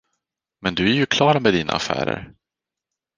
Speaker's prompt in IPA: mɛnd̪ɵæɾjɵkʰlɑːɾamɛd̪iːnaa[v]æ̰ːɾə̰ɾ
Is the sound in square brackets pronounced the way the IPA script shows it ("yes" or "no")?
no